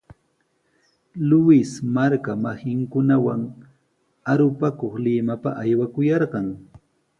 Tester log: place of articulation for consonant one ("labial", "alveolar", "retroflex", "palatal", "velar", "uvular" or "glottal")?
alveolar